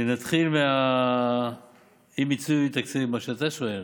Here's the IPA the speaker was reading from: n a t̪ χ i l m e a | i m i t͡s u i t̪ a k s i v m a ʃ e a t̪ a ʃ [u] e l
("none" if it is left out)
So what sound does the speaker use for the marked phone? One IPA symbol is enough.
o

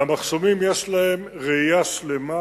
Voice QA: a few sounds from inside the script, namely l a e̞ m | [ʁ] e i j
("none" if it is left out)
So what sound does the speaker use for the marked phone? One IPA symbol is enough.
ʁ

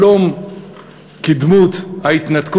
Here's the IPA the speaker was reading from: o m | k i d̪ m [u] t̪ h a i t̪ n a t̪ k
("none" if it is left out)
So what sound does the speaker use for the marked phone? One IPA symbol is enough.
u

